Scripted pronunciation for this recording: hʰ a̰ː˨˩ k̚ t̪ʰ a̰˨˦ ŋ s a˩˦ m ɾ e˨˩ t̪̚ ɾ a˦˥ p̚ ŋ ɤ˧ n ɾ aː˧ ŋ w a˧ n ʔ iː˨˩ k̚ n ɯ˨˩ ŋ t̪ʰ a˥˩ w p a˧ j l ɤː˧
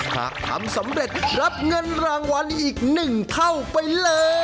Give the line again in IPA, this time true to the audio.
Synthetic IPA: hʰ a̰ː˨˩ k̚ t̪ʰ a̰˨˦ m s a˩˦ m ɾ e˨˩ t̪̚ ɾ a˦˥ p̚ ŋ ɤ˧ n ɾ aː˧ ŋ w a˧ n ʔ iː˨˩ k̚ n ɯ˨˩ ŋ t̪ʰ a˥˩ w p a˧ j l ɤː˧

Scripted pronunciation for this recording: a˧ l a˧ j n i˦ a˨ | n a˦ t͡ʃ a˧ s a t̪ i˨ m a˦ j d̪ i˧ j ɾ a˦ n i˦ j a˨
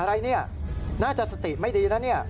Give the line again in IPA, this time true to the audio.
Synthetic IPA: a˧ ɾ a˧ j n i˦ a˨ | n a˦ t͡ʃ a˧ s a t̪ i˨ m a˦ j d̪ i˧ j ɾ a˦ n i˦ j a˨

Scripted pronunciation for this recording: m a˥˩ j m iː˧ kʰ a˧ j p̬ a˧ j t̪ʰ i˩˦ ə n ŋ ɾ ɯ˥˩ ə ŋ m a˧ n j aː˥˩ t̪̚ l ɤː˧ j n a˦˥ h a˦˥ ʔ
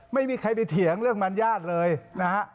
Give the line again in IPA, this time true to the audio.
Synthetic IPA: m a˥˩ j m iː˧ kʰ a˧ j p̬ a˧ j t̪ʰ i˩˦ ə ŋ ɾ ɯ˥˩ ə ŋ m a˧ n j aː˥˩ t̪̚ l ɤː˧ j n a˦˥ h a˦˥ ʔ

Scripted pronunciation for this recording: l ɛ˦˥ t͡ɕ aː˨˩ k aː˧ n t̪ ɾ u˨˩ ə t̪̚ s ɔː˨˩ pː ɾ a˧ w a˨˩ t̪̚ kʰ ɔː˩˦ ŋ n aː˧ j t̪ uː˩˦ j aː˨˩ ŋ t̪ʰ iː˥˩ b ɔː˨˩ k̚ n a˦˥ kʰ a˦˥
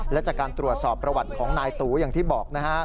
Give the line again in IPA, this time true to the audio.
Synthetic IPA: l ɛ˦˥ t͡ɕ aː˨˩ k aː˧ n t̪ ɾ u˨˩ ə t̪̚ s ɔː˨˩ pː ɾ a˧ w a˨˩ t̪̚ kʰ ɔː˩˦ ŋ n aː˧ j t̪ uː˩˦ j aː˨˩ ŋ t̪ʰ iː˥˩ b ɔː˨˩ k̚ n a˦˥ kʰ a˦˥

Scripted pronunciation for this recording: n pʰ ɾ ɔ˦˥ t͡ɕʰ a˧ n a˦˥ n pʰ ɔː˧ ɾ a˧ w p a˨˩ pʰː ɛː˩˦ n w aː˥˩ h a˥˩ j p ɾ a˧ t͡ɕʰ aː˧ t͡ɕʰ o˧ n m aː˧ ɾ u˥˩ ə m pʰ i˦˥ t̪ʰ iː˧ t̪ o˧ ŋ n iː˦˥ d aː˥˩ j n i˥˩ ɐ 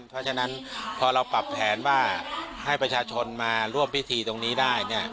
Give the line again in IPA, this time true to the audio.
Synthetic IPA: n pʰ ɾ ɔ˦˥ t͡ɕʰ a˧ n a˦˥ n pʰ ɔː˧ ɾ a˧ w p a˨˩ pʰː ɛː˩˦ n w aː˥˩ h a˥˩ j p ɾ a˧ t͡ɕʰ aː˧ t͡ɕʰ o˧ n m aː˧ ɾ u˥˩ ə m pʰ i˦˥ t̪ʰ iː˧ t̪ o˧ ŋ n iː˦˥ d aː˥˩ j n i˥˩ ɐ

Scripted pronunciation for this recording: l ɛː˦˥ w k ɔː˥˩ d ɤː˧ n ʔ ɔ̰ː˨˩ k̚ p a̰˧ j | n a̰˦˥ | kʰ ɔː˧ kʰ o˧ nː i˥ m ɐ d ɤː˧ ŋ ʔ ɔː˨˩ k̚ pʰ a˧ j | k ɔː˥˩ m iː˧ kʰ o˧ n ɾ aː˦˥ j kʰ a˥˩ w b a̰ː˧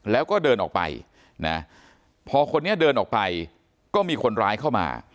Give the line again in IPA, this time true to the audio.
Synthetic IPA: l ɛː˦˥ w k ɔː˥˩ d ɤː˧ n ʔ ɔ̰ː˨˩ k̚ p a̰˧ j | n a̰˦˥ | pʰ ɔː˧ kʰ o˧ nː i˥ ɐ d ɤː˧ n ʔ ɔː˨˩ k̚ p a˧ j | k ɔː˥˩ m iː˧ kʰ o˧ n ɾ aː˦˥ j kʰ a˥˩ w m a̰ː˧

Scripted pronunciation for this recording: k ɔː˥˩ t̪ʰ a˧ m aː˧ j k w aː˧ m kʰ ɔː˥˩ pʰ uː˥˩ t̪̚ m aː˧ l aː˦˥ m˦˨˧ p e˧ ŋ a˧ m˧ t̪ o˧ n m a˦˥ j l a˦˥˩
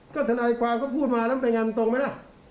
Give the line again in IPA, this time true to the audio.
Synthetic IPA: k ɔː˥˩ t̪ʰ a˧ n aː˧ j k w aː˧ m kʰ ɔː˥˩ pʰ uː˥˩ t̪̚ m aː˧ l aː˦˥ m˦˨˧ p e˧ ŋ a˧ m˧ t̪ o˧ ŋ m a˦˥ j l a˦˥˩

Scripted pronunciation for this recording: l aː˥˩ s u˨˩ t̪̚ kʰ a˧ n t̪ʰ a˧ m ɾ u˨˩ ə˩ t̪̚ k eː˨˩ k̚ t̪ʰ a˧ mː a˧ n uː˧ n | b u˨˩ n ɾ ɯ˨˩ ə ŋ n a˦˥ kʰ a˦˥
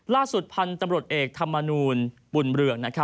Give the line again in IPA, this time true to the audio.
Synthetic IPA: l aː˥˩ s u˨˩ t̪̚ pʰ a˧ n t̪ a˧ m ɾ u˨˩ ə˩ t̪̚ ʔ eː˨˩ k̚ t̪ʰ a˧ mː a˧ n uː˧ n | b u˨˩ n ɾ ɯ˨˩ ə ŋ n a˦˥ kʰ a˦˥

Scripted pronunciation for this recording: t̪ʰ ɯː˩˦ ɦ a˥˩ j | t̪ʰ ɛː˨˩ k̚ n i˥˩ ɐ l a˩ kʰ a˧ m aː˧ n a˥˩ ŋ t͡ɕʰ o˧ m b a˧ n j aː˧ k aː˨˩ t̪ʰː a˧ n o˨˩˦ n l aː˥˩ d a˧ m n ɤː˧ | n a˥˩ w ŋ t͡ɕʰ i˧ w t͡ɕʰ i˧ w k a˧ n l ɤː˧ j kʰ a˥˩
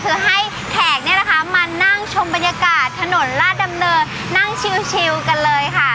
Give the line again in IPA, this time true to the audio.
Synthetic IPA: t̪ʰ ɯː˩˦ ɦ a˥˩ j | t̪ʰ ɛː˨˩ k̚ n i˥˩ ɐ l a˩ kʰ a˦˥ m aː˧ n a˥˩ ŋ t͡ɕʰ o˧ m b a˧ n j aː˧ k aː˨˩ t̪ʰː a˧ n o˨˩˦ n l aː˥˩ d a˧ m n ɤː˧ | n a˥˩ ŋ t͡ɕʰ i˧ w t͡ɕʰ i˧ w k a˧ n l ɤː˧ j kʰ a˥˩

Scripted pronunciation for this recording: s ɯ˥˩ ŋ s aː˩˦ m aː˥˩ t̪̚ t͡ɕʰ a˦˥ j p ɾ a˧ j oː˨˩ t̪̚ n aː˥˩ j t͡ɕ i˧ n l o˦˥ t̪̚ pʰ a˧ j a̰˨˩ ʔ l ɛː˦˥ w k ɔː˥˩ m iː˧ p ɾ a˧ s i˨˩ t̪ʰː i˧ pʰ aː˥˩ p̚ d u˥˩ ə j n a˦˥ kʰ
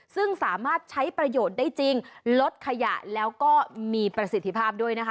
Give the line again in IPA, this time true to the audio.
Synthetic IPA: s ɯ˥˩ ŋ s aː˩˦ m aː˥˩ t̪̚ t͡ɕʰ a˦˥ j p ɾ a˧ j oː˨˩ t̪̚ d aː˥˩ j t͡ɕ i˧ ŋ l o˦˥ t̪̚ kʰ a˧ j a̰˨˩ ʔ l ɛː˦˥ w k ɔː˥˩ m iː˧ p ɾ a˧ s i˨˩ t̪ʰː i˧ pʰ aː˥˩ p̚ d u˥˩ ə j n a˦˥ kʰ

